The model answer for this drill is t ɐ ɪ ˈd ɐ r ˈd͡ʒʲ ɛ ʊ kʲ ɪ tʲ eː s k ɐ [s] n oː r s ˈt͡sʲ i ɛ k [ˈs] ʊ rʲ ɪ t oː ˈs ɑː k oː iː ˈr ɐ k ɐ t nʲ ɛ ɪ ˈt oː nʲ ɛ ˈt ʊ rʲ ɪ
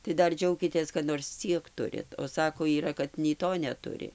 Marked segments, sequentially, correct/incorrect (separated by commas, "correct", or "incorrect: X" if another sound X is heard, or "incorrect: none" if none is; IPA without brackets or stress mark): incorrect: t, incorrect: t